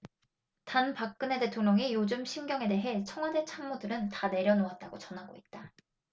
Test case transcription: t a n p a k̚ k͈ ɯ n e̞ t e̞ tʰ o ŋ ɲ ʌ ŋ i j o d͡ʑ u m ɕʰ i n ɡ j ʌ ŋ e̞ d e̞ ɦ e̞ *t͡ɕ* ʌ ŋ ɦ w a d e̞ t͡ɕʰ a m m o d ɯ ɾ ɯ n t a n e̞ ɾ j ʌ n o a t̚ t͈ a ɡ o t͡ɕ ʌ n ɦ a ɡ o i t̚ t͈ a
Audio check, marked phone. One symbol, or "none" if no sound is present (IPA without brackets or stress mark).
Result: t͡ɕʰ